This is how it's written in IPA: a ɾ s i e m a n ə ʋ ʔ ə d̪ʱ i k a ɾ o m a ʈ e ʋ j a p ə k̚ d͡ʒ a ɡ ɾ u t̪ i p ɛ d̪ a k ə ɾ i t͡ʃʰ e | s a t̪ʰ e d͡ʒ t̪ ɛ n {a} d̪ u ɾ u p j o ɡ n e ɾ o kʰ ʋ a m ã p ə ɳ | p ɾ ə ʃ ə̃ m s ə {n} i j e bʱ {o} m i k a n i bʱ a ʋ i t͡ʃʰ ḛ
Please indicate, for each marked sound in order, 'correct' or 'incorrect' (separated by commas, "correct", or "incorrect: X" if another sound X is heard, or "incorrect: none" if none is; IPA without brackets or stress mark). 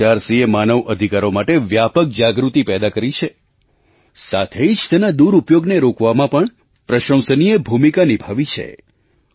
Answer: correct, correct, incorrect: u